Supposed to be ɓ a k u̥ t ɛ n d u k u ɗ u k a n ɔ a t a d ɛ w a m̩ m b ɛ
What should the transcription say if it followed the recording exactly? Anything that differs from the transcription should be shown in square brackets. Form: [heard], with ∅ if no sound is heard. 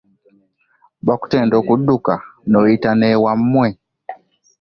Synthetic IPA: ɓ a k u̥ t ɛ n d [ɔ] k u ɗ u k a n ɔ [i] t a [n] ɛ w a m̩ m [w] ɛ